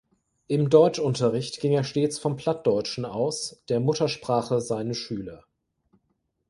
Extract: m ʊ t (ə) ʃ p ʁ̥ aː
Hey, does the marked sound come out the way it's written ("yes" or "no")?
no